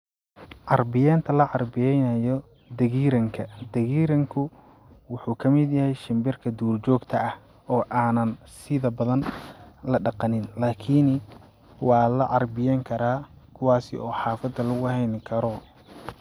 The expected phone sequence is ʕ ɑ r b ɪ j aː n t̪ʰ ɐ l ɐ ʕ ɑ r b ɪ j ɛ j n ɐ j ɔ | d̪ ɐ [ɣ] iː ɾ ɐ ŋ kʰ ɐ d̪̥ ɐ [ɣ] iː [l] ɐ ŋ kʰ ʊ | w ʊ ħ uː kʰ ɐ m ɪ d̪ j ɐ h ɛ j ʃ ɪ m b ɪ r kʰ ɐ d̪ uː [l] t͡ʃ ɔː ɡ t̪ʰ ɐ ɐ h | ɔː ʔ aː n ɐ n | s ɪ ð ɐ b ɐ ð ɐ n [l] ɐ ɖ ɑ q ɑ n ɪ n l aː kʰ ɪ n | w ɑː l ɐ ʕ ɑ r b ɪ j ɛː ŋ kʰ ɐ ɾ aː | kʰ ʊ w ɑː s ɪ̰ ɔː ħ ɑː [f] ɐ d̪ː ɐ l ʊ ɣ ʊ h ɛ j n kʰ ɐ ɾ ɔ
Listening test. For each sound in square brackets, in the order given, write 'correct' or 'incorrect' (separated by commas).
correct, correct, incorrect, incorrect, correct, correct